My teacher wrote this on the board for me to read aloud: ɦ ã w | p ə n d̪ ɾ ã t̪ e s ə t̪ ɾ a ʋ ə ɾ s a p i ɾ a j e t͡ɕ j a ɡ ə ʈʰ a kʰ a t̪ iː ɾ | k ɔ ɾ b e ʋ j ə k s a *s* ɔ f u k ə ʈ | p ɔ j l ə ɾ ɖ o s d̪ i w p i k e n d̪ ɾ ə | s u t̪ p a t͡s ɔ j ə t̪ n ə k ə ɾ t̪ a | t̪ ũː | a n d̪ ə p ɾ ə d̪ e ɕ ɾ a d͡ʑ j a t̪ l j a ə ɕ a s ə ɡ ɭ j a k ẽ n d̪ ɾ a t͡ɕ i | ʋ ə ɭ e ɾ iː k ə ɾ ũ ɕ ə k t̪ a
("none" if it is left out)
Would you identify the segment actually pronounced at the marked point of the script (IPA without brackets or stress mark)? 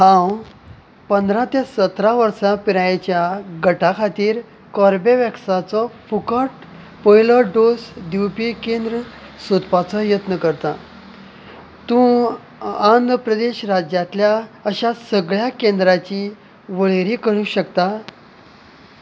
t͡s